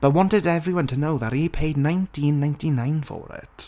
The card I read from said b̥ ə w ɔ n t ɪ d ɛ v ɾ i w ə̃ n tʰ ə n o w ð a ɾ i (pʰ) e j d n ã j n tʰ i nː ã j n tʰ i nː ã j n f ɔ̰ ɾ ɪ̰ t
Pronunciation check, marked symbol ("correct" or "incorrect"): correct